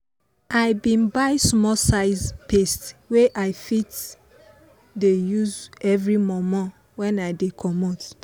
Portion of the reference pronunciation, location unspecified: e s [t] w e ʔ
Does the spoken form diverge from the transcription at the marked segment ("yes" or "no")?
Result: no